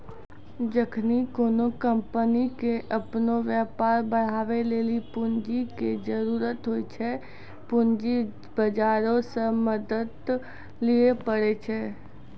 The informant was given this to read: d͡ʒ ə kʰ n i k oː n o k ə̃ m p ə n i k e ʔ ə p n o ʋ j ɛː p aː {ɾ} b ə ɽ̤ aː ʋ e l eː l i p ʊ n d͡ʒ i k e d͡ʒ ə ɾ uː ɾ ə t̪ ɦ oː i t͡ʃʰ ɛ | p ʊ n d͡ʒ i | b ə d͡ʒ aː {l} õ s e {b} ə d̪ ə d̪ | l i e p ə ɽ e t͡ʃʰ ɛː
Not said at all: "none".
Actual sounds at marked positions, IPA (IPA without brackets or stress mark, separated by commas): ɾ, ɾ, m